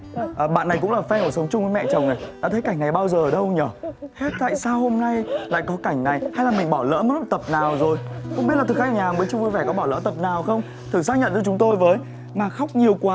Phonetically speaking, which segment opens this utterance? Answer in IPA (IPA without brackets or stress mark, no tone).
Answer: ʔ